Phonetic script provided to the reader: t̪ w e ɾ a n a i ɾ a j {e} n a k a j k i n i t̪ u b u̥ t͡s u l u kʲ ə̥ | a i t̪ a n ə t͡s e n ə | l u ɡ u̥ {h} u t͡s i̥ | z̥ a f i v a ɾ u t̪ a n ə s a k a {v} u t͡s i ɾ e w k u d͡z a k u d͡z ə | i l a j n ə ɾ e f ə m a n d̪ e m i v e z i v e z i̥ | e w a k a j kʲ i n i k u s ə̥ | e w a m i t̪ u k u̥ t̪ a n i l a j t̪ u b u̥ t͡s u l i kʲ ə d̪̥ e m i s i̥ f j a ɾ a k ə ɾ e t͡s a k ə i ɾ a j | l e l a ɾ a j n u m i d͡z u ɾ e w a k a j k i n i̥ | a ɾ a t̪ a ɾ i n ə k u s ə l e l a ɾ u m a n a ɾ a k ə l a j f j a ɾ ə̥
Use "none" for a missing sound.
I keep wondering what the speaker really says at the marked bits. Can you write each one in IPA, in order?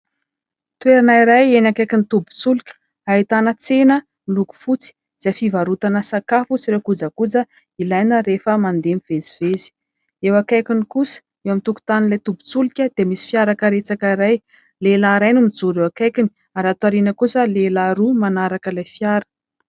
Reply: e, f, f

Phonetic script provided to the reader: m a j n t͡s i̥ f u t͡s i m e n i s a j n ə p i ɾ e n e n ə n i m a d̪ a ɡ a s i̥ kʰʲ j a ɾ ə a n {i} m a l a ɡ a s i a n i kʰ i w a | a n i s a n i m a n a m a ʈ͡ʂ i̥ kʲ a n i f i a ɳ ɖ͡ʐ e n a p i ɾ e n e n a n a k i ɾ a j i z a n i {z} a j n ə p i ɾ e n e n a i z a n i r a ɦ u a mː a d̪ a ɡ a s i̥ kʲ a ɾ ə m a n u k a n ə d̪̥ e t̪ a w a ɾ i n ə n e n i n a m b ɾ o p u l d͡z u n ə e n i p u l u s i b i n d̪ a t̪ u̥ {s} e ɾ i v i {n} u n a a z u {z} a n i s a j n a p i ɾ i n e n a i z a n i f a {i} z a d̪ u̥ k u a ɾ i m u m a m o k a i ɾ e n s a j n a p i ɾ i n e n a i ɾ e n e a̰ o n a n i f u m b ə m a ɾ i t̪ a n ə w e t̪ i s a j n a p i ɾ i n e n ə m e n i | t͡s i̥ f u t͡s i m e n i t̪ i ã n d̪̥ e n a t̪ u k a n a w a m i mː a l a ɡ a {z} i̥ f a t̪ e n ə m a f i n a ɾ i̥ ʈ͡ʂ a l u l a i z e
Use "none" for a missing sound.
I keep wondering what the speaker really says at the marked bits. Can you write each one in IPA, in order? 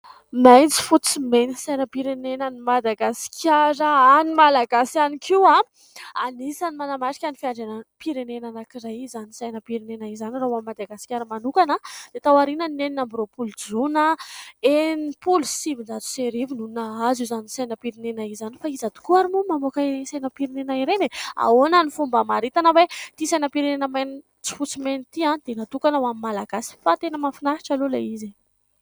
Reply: i, s, s, n, z, i, s

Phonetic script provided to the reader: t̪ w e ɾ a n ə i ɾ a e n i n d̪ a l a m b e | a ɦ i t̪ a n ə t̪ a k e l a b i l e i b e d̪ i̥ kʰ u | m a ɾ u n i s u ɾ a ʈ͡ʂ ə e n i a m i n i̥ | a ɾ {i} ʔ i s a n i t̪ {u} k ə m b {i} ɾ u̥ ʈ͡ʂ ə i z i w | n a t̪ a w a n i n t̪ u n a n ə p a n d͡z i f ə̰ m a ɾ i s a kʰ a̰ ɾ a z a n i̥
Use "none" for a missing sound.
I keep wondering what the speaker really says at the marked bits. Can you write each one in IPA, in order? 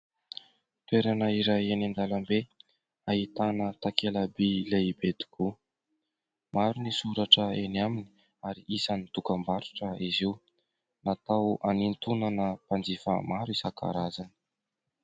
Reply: i, u, a

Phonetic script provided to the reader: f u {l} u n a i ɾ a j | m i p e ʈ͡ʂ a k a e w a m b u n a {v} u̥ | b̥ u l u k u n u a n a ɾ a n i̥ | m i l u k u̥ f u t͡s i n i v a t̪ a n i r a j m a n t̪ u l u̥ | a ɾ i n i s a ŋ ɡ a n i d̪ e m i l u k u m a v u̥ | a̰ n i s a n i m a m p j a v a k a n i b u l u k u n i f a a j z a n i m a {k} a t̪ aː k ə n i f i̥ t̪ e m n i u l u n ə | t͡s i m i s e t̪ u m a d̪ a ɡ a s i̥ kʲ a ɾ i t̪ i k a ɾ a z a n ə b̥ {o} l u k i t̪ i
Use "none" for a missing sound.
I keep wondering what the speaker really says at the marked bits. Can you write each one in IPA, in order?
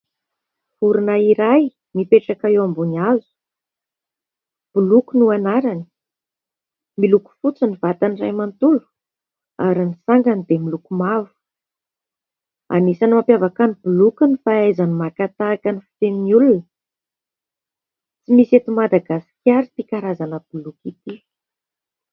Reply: ɾ, z, k, u

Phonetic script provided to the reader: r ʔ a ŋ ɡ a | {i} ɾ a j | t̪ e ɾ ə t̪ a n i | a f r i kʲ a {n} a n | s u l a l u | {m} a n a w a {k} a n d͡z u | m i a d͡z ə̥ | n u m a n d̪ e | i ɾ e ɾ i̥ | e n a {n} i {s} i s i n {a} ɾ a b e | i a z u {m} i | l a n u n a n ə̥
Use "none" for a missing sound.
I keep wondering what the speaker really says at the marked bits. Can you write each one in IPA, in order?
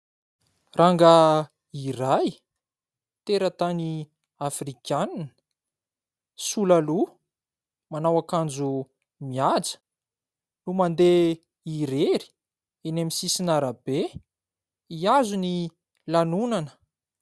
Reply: i, n, m, k, m, s, a, n

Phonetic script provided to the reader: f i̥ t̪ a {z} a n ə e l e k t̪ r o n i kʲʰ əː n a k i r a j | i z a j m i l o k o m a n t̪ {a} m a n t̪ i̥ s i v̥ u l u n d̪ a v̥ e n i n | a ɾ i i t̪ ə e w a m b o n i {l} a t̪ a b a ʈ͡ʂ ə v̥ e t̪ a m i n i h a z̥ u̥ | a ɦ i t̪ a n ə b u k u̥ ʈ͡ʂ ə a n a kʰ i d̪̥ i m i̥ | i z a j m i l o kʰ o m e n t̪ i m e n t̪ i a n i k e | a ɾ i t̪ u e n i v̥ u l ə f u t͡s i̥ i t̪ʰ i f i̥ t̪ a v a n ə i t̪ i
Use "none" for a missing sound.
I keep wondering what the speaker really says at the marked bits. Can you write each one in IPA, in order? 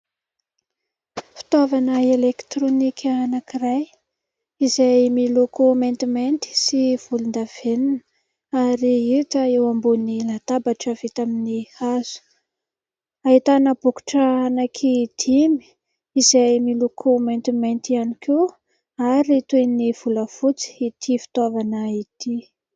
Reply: v, i, l

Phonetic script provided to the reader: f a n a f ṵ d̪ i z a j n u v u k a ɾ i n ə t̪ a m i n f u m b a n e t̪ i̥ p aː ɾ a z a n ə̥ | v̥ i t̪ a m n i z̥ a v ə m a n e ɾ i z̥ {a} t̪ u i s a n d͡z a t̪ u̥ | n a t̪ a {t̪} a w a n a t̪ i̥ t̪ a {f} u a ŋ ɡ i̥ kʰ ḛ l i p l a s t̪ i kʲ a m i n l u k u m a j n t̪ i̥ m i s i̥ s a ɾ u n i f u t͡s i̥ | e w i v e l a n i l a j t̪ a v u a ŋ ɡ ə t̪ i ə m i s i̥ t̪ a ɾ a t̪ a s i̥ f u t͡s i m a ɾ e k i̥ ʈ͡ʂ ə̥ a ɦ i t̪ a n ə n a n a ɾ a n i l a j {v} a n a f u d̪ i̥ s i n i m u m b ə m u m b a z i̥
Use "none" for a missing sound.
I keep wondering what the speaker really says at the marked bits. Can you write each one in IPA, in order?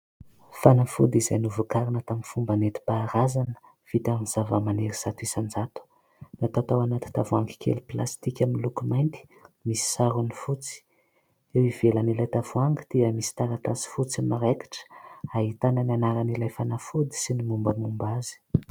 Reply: a, t̪, v, f

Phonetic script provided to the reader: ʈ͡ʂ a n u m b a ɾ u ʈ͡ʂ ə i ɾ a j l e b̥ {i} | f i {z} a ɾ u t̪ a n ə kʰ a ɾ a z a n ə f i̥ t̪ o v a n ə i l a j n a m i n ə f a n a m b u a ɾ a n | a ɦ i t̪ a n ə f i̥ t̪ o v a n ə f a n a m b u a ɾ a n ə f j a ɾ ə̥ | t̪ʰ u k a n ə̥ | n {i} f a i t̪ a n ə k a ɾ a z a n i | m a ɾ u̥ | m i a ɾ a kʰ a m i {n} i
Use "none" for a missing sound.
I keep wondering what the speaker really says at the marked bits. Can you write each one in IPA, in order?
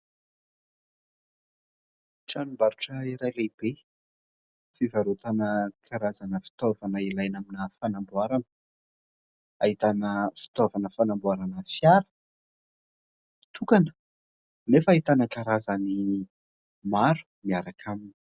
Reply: e, v, e, n

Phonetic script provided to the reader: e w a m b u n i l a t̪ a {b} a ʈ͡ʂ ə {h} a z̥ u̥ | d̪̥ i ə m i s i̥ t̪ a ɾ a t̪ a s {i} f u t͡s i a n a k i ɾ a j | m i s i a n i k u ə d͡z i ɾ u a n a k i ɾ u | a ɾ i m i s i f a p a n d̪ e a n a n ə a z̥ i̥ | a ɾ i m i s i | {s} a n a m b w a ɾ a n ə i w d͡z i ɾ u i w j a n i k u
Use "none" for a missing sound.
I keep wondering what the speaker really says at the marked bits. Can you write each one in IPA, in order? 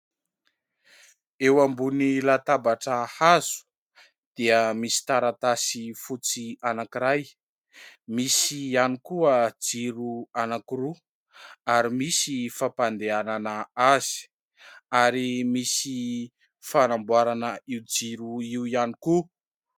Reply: b, h, i, f

